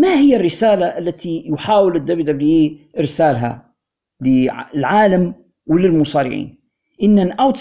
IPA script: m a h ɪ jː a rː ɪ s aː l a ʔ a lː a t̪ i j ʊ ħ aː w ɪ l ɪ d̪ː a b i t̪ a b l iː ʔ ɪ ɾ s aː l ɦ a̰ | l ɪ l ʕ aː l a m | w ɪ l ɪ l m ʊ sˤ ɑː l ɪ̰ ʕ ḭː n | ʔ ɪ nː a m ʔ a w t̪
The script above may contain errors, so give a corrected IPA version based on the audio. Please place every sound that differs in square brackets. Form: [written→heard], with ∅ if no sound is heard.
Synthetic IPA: m a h ɪ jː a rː ɪ s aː l a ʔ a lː a t̪ i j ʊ ħ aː w ɪ l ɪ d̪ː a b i [t̪→d̪] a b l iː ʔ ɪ ɾ s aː l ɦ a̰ | l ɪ l ʕ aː l a m | w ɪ l ɪ l m ʊ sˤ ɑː [l→ɾ] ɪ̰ ʕ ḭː n | ʔ ɪ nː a [m→n] ʔ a w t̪